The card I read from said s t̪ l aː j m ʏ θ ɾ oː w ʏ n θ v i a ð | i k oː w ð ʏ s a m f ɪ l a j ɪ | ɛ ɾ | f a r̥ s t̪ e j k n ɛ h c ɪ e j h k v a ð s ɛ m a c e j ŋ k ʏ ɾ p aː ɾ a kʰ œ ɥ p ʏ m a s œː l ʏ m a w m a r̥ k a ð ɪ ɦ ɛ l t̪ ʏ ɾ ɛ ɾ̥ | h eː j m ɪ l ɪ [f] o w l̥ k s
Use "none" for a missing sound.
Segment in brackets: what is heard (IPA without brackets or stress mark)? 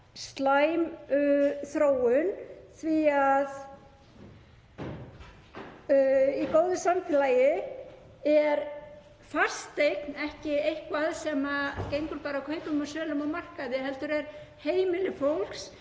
f